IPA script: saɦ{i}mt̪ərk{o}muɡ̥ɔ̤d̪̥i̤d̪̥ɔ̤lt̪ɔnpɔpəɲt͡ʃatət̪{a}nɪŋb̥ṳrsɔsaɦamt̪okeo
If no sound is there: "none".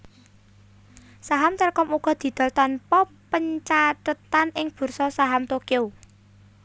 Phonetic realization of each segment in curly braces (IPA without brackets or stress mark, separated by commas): a, ɔ, a